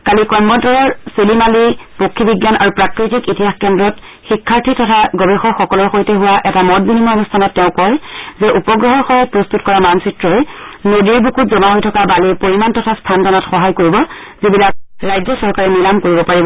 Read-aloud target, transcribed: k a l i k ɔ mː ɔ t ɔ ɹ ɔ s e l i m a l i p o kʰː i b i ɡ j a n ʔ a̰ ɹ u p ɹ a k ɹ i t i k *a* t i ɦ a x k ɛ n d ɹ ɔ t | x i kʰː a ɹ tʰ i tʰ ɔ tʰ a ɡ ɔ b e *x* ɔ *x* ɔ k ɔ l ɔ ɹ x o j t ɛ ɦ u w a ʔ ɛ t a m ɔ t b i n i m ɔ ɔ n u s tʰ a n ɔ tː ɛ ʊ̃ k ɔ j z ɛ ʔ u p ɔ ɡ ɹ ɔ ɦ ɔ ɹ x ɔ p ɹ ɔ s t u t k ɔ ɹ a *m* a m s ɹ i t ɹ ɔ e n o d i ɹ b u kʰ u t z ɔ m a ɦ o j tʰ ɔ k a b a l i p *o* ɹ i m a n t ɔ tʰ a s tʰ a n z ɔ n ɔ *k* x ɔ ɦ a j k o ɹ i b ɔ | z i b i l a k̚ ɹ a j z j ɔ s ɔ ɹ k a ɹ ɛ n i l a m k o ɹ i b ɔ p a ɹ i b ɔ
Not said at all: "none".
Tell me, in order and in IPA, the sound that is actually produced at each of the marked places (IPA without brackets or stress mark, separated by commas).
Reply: i, x, x, m, o, t